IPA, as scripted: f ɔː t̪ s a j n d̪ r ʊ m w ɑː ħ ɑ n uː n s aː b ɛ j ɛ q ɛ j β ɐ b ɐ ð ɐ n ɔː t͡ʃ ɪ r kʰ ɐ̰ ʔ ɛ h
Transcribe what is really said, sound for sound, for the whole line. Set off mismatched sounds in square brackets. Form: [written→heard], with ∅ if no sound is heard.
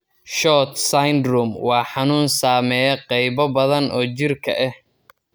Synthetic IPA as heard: [f→ʃ] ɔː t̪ s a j n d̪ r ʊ m w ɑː ħ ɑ n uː n s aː [b→m] ɛ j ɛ q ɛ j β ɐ b ɐ ð ɐ n ɔː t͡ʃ ɪ r kʰ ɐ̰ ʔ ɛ h